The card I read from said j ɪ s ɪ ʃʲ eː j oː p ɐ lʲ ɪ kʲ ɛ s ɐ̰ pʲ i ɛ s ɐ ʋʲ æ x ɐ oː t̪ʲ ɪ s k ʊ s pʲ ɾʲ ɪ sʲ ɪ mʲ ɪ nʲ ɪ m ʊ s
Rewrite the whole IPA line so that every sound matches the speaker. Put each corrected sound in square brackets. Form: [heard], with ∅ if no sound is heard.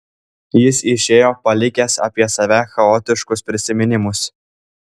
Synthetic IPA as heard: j ɪ s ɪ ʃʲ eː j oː p ɐ lʲ ɪ kʲ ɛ s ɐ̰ pʲ i ɛ s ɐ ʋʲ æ x ɐ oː t̪ʲ ɪ [ʃ] k ʊ s pʲ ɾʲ ɪ sʲ ɪ mʲ ɪ nʲ ɪ m ʊ s